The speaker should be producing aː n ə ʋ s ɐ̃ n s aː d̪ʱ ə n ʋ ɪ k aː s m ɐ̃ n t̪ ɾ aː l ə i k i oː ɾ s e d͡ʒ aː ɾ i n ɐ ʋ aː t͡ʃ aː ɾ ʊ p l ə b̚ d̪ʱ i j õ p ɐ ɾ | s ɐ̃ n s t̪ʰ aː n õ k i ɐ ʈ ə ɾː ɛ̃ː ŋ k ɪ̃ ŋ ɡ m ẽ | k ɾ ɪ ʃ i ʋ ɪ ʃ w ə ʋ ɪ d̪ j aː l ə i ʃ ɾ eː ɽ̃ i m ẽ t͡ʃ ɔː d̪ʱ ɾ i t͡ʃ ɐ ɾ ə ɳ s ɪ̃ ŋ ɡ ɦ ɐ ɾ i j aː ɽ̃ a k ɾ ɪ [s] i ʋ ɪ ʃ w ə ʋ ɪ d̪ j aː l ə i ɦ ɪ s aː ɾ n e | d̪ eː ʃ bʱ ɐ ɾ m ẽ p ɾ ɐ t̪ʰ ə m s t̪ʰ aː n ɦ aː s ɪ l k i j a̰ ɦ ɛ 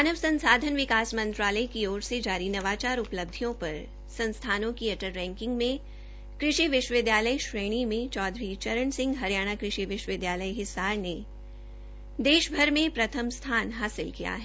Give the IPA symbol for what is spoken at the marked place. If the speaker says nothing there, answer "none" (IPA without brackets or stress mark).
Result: ʃ